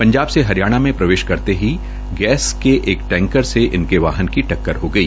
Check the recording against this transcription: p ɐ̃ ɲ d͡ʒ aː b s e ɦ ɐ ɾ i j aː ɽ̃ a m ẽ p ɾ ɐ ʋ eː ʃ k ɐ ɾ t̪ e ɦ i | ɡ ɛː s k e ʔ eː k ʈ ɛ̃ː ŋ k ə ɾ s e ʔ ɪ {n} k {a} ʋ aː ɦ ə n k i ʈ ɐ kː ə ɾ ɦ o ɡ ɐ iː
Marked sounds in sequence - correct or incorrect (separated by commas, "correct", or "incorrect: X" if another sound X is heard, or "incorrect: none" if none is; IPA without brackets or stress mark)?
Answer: correct, incorrect: e